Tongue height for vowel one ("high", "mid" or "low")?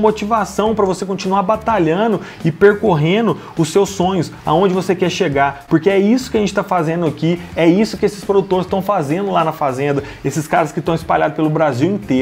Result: mid